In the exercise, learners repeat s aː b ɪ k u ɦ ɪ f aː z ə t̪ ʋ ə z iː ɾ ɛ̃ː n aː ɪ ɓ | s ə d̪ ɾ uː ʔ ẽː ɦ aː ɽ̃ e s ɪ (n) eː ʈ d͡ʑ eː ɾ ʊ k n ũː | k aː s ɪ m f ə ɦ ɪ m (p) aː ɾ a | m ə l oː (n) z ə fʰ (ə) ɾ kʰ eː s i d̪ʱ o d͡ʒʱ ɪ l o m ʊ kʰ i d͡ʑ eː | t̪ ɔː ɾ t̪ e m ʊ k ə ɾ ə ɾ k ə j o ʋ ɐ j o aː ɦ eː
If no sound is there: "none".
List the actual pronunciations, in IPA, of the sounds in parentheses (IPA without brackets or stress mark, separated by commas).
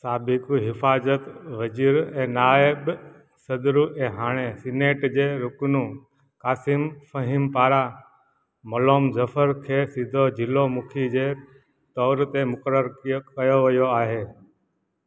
n, p, m, ə